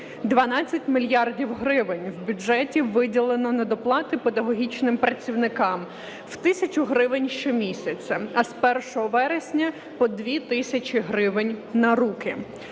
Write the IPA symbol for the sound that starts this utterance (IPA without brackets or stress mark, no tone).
d̪